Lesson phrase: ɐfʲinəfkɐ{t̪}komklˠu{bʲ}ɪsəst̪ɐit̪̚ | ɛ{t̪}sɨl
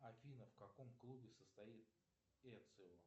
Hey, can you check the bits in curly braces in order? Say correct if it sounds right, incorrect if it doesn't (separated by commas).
incorrect, correct, correct